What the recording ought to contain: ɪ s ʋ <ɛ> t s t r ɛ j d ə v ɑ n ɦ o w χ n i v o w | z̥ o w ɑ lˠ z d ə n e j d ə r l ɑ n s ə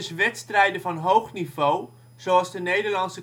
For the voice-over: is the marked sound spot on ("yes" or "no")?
yes